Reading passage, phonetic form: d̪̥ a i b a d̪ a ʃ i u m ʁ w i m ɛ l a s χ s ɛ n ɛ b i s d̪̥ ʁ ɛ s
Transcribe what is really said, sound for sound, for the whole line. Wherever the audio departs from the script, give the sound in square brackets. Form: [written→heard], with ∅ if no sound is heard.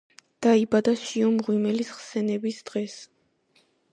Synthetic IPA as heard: d̪̥ a i b a d̪ a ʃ i [u→ɔ] m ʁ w i m ɛ l [a→i] s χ s ɛ n ɛ b i s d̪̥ ʁ ɛ s